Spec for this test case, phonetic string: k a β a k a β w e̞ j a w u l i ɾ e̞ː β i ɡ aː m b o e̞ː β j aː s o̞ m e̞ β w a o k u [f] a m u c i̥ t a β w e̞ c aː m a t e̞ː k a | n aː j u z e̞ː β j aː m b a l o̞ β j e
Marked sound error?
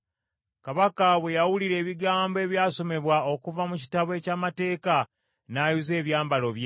yes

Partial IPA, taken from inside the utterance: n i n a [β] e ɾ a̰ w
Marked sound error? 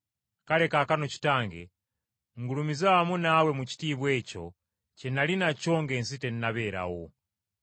no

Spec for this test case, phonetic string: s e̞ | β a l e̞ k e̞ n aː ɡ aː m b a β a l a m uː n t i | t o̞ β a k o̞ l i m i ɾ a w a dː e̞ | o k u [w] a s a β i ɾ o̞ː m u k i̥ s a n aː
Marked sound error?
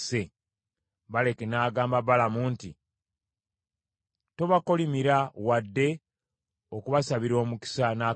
yes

